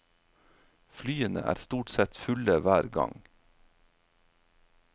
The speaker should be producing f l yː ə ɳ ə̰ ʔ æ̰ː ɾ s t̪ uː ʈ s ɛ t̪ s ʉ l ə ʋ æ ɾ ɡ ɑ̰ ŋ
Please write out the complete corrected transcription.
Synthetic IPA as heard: f l yː ə n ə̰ ʔ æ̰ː ɾ s t̪ uː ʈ s ɛ t̪ f ʉ l ə ʋ æː ɾ ɡ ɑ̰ ŋ